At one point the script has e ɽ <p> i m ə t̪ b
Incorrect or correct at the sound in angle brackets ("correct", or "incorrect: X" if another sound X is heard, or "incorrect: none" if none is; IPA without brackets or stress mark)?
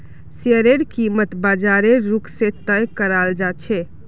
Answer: incorrect: k